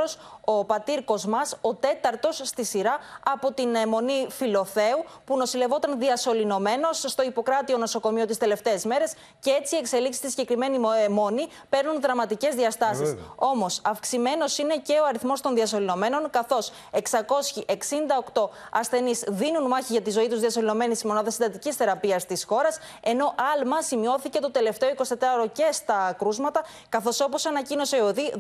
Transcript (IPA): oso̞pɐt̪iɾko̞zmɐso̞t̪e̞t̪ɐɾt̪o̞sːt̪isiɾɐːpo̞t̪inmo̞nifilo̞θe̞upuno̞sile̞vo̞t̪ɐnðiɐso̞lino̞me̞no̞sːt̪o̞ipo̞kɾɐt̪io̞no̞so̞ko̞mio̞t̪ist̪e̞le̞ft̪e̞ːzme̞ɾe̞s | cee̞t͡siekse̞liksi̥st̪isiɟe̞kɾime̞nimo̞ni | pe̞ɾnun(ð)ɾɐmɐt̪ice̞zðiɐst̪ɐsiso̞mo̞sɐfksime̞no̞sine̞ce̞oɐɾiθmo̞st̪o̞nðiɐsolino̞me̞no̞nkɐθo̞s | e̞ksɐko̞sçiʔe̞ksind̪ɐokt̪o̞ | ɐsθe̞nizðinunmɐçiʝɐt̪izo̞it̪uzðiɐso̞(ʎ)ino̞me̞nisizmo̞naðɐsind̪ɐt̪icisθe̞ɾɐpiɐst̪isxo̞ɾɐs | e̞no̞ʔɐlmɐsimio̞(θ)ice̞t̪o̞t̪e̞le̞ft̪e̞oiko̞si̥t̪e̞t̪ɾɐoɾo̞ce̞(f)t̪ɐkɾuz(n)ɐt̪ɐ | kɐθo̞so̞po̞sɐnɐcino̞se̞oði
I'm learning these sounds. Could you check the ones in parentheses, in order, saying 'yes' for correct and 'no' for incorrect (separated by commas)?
yes, no, yes, no, no